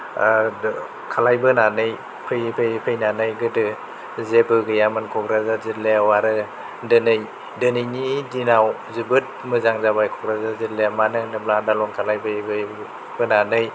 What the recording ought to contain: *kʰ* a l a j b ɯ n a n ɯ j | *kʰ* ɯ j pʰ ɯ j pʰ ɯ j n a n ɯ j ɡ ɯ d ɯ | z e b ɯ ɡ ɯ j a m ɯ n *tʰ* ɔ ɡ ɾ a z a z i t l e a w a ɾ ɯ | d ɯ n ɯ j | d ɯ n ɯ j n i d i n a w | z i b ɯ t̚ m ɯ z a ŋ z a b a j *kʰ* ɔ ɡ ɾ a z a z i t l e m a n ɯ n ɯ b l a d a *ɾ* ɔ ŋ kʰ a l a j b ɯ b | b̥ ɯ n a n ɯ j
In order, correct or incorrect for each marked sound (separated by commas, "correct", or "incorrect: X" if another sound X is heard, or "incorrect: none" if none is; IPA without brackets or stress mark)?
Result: correct, incorrect: pʰ, incorrect: kʰ, correct, incorrect: l